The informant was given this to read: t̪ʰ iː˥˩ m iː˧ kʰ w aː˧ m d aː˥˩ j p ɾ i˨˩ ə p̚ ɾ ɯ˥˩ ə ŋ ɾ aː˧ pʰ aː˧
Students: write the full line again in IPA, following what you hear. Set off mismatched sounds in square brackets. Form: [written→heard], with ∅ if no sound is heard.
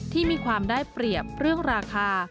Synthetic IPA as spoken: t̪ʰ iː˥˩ m iː˧ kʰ w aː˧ m d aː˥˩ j p ɾ i˨˩ ə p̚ ɾ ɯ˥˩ ə ŋ ɾ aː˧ [pʰ→kʰ] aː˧